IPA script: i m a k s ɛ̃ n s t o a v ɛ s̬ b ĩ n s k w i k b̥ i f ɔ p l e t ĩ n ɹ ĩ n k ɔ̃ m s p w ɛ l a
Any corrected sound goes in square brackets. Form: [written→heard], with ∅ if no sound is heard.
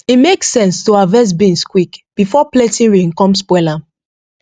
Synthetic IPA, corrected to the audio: i m [a→e] k s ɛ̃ n s t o a v ɛ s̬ b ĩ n s k w i k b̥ i f ɔ p l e t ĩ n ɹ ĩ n k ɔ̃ m s p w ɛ l a